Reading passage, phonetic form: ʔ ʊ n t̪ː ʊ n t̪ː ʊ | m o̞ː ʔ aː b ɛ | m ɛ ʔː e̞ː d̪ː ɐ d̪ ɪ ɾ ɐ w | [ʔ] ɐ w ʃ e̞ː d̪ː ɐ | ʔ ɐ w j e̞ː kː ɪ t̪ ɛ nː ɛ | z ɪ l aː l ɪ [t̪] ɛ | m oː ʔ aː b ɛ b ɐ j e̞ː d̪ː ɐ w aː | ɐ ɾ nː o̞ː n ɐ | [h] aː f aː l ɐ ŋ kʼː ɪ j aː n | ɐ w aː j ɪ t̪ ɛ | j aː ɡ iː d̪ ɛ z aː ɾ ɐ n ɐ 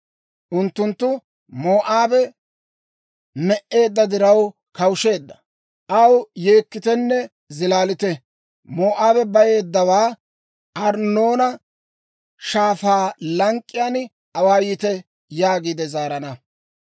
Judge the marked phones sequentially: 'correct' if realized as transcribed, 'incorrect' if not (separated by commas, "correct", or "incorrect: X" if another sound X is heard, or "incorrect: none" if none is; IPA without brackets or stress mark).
incorrect: k, correct, incorrect: ʃ